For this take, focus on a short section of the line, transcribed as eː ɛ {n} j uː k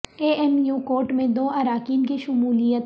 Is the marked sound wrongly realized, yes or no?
yes